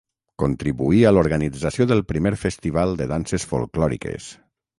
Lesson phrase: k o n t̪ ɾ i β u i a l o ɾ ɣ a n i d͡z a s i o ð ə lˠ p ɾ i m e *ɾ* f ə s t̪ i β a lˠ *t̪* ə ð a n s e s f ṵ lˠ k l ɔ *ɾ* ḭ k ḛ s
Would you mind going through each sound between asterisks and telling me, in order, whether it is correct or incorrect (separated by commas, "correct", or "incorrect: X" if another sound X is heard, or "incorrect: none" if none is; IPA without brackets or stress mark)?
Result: correct, incorrect: d̪, correct